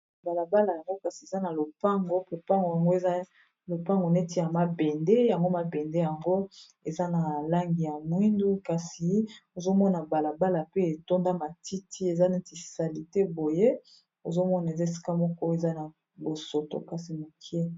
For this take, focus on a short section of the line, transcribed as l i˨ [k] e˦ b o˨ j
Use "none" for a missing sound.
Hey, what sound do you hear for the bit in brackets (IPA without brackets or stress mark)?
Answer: t